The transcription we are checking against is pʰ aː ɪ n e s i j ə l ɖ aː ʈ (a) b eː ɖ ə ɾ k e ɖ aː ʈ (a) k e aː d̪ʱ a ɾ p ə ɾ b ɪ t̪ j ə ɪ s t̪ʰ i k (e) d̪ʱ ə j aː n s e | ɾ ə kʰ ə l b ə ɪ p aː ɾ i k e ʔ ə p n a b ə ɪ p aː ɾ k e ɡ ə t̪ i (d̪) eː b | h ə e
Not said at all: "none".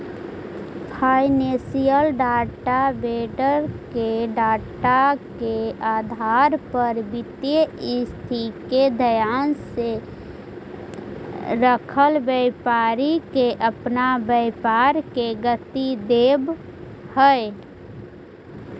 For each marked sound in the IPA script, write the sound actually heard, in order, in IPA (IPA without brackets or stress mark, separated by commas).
a, a, e, d̪